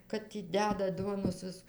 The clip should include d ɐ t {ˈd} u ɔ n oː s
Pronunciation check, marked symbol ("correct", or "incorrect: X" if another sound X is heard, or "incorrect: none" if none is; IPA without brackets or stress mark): correct